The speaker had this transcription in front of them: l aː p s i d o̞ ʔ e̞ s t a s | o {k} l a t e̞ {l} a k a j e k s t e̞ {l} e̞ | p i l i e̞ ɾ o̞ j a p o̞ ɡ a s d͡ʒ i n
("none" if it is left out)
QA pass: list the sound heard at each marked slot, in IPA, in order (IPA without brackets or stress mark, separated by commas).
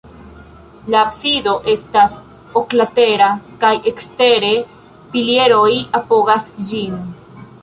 k, ɾ, ɾ